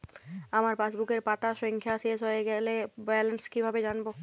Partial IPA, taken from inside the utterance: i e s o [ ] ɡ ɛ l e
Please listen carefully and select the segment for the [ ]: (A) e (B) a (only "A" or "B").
A